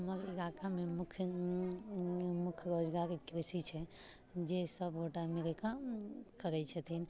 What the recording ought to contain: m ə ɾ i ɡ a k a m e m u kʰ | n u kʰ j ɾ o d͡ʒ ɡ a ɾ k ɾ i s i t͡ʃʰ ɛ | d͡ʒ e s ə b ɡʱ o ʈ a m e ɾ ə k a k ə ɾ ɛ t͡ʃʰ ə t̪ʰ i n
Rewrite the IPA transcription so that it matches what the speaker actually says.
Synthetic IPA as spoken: m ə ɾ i ɡ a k a m e m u kʰ | m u kʰ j ɾ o d͡ʒ ɡ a ɾ k ɾ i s i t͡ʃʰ ɛ | d͡ʒ e s ə b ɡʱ o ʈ a m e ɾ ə k a k ə ɾ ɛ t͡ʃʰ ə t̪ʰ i n